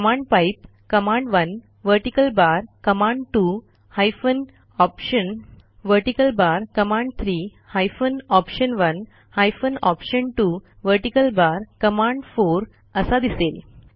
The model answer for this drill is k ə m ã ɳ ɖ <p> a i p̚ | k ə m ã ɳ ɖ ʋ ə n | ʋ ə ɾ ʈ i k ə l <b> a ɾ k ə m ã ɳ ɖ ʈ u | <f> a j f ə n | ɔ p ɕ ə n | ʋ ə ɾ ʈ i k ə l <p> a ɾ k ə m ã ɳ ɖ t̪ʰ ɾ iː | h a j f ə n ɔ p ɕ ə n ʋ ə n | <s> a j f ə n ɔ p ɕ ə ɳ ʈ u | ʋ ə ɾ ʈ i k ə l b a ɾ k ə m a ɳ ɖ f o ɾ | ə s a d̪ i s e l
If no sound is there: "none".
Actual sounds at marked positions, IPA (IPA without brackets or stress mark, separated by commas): p, b, h, b, h